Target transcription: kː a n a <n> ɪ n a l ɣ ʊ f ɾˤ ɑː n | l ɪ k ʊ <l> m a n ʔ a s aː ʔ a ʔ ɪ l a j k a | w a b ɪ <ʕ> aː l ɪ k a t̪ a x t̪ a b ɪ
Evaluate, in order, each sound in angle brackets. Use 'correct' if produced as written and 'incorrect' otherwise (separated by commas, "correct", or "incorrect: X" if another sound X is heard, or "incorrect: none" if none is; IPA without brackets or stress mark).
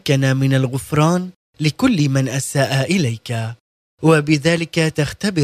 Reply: incorrect: m, incorrect: lː, incorrect: ð